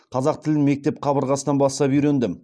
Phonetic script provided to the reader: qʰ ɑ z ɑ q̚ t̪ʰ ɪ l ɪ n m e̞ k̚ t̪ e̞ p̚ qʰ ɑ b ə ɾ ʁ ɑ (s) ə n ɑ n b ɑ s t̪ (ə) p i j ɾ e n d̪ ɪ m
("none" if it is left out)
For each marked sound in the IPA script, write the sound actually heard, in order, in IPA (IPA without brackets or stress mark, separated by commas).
s, ɑ